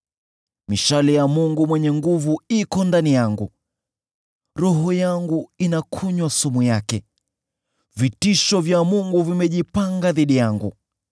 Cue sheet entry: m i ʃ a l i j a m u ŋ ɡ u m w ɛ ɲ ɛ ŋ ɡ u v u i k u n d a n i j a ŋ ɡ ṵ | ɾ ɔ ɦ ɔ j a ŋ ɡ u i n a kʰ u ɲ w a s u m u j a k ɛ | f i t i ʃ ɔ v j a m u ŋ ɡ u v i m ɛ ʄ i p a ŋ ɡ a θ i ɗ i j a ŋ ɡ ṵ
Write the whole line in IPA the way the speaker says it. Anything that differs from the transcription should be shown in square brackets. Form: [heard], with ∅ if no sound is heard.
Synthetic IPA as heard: m i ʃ a l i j a m u ŋ ɡ u m w ɛ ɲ ɛ ŋ ɡ u v u i k [ɔ] n d a n i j a ŋ ɡ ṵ | ɾ ɔ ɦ ɔ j a ŋ ɡ u i n a kʰ u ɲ w a s u m u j a k ɛ | [v] i t i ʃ ɔ v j a m u ŋ ɡ u v i m ɛ ʄ i p a ŋ ɡ a [ð] i ɗ i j a ŋ ɡ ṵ